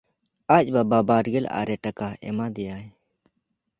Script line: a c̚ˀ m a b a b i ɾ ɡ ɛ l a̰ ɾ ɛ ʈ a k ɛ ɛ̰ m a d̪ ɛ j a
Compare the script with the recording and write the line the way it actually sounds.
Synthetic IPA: a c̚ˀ b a b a b a ɾ ɡ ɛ l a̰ ɾ ɛ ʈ a k a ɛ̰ m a d̪ ɛ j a